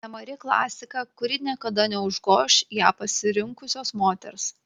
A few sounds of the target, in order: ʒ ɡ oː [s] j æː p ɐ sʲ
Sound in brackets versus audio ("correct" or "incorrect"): incorrect